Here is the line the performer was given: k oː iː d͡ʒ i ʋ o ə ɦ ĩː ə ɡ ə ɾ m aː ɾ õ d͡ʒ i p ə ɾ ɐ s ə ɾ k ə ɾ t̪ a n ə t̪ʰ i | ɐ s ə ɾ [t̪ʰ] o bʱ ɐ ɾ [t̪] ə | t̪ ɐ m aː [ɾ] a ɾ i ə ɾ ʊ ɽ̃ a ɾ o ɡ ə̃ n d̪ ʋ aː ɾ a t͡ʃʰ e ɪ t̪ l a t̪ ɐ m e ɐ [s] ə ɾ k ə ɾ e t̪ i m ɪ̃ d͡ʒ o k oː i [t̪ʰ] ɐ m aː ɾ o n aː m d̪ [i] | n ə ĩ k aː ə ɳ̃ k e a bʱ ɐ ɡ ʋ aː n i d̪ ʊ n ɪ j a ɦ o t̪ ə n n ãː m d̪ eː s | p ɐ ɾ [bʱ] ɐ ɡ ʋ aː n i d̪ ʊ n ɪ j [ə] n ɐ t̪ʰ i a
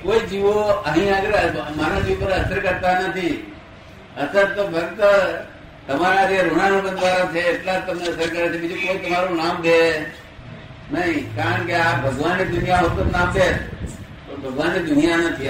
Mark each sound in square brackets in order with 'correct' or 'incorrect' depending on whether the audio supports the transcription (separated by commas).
incorrect, correct, correct, correct, incorrect, incorrect, correct, incorrect